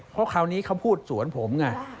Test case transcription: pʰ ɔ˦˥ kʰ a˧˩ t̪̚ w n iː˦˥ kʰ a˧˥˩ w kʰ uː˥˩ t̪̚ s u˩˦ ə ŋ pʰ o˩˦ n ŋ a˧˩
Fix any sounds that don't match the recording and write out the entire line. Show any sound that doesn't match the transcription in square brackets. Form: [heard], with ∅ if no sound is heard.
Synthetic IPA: pʰ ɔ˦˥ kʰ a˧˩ [∅] w n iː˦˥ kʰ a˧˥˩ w [pʰ] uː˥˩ t̪̚ s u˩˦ ə [n] pʰ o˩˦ [m] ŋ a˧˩